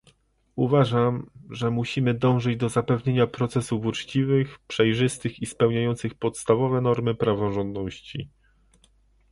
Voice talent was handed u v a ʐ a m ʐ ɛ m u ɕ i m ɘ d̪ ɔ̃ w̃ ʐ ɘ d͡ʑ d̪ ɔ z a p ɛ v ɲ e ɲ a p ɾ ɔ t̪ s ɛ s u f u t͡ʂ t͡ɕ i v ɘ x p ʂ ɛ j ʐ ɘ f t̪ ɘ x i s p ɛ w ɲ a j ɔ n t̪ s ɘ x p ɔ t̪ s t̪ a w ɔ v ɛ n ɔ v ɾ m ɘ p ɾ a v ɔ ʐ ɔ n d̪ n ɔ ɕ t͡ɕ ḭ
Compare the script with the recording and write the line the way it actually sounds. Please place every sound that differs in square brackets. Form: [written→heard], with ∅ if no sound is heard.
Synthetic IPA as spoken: u v a ʐ a m ʐ ɛ m u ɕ i m ɘ d̪ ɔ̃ w̃ ʐ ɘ d͡ʑ d̪ ɔ z a p ɛ v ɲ e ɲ a p ɾ ɔ t̪ s ɛ s u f u t͡ʂ t͡ɕ i v ɘ x p ʂ ɛ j ʐ ɘ [f→s] t̪ ɘ x i s p ɛ w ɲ a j ɔ n t̪ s ɘ x p ɔ t̪ s t̪ a [w→v] ɔ v ɛ n ɔ [v→∅] ɾ m ɘ p ɾ a v ɔ ʐ ɔ n d̪ n ɔ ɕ t͡ɕ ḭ